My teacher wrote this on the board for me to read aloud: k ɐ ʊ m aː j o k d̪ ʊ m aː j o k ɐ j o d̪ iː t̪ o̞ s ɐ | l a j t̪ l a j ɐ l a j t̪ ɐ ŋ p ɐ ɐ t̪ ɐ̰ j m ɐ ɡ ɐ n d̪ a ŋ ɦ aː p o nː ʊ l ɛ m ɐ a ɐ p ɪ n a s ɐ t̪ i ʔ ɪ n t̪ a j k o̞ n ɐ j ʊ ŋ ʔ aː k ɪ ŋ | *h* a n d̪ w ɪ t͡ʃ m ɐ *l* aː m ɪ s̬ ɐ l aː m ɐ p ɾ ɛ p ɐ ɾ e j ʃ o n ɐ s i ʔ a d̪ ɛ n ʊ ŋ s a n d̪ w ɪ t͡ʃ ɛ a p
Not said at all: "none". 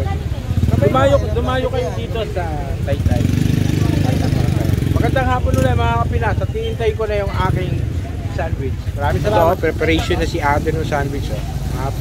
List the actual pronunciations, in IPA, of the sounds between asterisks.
s, ɾ

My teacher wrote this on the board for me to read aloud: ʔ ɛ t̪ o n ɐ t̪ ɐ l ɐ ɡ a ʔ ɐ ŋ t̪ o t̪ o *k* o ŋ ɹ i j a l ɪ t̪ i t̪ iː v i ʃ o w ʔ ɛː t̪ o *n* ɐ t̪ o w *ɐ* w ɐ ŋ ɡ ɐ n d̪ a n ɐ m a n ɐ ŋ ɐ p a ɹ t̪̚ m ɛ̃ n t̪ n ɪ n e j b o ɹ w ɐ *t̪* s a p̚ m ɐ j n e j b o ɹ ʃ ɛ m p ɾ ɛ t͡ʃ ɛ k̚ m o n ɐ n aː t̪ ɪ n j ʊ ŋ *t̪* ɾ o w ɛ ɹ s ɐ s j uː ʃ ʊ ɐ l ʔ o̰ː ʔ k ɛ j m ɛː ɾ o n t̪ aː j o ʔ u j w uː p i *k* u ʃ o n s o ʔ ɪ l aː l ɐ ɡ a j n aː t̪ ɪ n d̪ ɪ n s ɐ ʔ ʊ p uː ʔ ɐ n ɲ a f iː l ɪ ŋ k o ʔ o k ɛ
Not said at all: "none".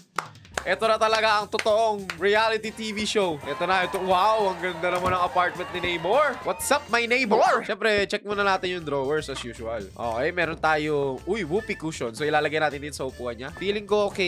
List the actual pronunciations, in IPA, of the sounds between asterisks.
ʔ, n, a, t̪, d̪, k

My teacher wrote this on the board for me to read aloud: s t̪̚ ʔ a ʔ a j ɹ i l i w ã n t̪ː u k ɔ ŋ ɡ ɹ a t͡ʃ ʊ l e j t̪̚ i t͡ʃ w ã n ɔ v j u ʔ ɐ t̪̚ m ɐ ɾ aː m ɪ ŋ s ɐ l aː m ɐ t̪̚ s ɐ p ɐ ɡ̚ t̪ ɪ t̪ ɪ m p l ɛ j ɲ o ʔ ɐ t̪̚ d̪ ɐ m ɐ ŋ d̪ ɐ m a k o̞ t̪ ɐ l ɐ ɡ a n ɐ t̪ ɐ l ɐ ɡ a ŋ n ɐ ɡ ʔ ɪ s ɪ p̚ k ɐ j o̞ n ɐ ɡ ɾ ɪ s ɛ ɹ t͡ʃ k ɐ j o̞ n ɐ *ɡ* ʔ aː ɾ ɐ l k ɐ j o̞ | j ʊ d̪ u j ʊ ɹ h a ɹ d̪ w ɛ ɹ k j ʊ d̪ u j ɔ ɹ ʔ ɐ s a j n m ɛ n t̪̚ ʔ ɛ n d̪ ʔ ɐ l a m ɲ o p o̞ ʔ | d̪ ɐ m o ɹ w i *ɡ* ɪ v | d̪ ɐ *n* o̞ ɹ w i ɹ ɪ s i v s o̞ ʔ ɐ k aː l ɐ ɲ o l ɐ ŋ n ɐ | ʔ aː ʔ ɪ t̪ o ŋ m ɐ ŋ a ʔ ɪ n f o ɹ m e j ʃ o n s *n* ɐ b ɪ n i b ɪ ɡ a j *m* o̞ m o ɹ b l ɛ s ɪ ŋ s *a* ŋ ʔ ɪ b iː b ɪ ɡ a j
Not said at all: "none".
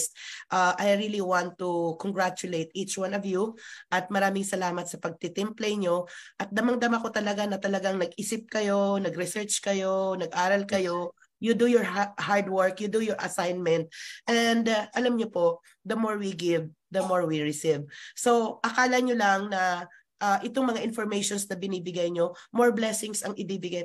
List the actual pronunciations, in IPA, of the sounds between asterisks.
ɡ, ɡ, m, n, ɲ, ɐ

